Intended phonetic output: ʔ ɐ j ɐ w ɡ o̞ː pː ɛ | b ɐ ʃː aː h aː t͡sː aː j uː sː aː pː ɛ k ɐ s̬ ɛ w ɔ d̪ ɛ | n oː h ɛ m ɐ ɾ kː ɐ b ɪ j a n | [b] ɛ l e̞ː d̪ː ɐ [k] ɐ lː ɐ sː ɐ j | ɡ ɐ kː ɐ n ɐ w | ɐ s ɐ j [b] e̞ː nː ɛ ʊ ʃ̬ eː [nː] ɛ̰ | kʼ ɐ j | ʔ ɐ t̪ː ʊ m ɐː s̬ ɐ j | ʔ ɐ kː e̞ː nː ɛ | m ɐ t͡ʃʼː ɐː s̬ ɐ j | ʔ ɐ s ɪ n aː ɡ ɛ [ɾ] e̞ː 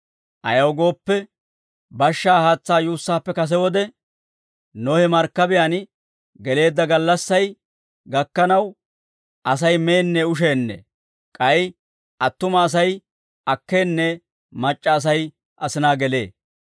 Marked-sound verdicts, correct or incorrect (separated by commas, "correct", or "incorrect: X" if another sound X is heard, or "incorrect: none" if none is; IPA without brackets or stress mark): incorrect: ɡ, incorrect: ɡ, incorrect: m, correct, incorrect: l